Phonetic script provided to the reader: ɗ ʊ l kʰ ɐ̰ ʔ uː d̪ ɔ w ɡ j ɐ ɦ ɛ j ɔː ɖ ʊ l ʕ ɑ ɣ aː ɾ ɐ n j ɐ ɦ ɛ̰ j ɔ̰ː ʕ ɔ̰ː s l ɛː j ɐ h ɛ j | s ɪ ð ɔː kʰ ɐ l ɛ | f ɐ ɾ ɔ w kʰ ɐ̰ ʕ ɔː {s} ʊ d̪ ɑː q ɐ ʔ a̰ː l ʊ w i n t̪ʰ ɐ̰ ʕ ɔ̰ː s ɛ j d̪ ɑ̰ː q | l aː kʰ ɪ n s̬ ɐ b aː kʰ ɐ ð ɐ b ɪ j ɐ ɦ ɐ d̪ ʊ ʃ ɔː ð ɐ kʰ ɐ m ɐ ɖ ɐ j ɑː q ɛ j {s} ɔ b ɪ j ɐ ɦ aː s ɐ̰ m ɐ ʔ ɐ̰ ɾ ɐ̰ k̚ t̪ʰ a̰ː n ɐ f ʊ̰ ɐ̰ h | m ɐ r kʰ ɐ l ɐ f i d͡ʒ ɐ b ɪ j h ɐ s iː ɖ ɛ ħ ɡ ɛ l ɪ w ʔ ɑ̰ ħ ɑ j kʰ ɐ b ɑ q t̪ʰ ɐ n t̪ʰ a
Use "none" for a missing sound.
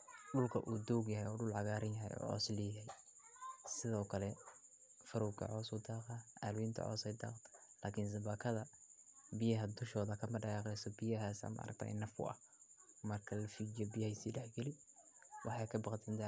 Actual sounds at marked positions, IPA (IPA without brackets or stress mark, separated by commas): s, s